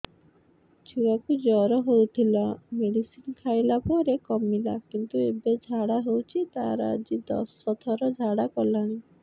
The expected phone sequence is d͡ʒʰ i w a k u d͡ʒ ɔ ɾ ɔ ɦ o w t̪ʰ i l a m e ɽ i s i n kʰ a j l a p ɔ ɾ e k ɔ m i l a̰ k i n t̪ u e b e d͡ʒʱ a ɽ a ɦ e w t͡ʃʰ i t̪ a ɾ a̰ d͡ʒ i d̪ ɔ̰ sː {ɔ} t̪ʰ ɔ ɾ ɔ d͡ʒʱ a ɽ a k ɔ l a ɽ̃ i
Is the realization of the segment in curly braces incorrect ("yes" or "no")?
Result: no